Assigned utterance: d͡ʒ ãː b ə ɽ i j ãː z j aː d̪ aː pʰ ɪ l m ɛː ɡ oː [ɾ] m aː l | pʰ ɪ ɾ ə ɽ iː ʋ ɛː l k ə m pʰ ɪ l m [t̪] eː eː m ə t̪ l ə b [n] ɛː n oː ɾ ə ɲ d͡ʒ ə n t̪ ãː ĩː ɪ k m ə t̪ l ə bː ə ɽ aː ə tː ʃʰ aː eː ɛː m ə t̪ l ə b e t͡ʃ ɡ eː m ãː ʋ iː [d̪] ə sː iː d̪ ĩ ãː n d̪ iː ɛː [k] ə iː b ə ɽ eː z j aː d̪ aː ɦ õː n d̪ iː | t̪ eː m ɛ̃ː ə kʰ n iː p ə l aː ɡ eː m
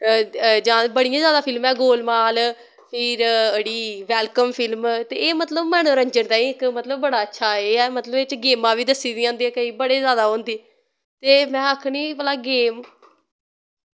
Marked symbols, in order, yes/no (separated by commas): no, yes, no, yes, yes